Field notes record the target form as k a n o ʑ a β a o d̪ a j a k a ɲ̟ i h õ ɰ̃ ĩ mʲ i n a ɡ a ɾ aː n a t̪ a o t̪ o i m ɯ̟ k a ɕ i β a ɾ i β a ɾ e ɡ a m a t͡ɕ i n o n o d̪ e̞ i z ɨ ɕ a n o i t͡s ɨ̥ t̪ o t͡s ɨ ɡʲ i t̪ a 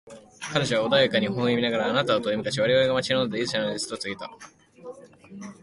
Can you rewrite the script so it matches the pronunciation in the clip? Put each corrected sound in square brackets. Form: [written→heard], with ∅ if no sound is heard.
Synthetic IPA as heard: k a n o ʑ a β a o d̪ a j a k a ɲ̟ i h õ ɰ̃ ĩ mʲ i n a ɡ a ɾ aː n a t̪ a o t̪ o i m ɯ̟ k a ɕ i β a ɾ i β a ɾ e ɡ a m a t͡ɕ i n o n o d̪ e̞ i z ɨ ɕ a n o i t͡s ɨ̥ t̪ o t͡s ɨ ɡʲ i t̪ a